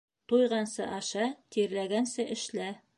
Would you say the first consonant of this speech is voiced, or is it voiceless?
voiceless